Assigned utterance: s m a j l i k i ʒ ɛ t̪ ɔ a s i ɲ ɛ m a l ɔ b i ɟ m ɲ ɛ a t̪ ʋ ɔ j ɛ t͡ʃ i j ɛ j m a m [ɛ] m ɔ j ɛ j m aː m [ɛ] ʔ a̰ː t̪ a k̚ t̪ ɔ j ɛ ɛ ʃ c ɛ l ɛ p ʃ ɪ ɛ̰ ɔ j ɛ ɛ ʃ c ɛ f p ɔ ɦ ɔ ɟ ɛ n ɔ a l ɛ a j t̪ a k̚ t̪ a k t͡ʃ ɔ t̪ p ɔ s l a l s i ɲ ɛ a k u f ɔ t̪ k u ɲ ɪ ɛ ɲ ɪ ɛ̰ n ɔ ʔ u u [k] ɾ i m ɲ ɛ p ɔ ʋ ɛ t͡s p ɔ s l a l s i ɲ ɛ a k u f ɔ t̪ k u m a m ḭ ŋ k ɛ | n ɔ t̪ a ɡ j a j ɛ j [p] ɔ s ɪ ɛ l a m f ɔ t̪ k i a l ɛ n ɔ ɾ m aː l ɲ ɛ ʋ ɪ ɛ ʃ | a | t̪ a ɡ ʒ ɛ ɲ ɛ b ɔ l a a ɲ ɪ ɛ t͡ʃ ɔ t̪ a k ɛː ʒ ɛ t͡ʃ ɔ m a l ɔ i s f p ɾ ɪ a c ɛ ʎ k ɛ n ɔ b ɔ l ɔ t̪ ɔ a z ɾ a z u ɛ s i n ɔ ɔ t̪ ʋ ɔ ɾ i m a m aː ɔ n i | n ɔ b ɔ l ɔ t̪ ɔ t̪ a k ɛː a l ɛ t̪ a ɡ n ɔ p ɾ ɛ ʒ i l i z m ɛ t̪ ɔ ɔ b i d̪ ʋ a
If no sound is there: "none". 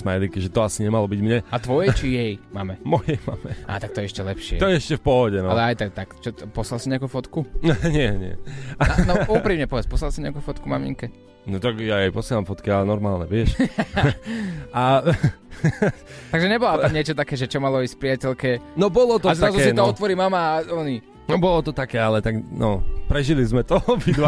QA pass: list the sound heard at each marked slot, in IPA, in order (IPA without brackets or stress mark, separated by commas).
ɛ, ɛ, p, p